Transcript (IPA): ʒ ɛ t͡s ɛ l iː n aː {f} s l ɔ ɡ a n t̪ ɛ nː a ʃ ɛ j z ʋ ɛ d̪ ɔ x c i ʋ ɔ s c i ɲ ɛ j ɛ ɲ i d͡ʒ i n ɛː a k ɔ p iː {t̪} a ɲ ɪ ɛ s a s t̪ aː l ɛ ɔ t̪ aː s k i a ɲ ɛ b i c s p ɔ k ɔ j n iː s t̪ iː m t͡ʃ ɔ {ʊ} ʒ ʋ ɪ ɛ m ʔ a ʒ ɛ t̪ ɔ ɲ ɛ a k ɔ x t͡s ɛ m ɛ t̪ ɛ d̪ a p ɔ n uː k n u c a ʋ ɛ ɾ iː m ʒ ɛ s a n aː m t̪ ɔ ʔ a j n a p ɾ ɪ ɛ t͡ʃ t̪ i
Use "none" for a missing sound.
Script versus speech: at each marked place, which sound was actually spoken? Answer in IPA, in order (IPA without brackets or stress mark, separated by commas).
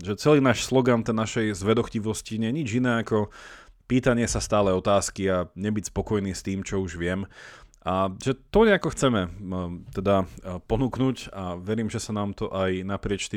ʃ, t̪, u